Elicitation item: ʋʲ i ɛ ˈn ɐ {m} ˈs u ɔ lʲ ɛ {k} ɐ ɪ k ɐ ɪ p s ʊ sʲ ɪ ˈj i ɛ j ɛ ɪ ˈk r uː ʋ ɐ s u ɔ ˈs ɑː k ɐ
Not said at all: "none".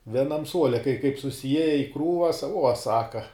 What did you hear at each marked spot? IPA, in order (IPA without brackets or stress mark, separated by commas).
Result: m, k